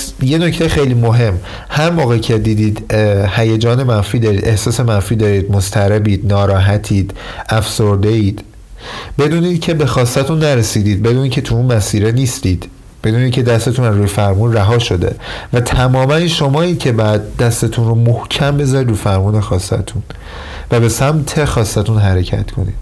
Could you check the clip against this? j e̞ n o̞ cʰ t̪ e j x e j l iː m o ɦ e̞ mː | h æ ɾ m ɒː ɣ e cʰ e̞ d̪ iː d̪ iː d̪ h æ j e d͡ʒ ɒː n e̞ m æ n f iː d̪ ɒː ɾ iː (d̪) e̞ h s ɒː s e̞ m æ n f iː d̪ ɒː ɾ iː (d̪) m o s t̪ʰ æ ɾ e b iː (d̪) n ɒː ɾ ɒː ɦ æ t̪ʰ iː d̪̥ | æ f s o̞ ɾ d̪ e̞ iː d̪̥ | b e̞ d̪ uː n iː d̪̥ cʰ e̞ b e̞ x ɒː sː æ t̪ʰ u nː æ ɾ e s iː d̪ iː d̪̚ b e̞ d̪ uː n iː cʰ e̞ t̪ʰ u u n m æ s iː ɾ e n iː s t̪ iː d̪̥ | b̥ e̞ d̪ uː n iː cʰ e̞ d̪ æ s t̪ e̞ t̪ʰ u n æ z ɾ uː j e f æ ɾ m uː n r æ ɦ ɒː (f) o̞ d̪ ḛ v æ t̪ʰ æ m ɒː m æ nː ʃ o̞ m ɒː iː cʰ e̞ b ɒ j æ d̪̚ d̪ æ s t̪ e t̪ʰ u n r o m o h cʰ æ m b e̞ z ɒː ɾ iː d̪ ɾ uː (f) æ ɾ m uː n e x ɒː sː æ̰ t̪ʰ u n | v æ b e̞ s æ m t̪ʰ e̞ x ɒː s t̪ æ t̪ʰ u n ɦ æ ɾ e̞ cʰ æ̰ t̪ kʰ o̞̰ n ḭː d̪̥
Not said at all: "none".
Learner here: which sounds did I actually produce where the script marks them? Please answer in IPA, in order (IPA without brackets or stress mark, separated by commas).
d̪, d̪, d̪, ʃ, f